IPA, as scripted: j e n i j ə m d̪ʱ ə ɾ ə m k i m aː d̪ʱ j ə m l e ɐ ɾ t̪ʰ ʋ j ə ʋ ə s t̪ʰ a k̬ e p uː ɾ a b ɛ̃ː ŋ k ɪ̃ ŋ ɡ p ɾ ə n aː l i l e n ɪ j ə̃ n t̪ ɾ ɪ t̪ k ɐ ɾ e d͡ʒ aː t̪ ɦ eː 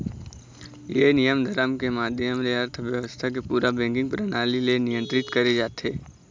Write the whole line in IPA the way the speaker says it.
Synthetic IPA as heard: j e n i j ə m d̪ʱ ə ɾ ə m k e m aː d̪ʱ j ə m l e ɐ ɾ t̪ʰ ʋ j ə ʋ ə s t̪ʰ a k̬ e p uː ɾ a b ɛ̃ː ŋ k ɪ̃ ŋ ɡ p ɾ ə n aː l i l e n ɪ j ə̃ n t̪ ɾ ɪ t̪ k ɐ ɾ e d͡ʒ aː t̪ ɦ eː